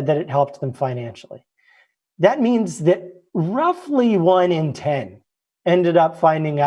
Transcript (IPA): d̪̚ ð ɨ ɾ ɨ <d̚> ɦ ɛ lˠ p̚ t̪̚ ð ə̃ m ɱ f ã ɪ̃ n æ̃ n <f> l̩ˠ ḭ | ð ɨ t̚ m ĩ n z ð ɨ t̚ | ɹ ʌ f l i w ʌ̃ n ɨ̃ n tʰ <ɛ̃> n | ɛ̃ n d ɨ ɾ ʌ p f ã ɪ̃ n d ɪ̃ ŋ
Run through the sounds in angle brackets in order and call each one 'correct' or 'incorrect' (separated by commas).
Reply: incorrect, incorrect, correct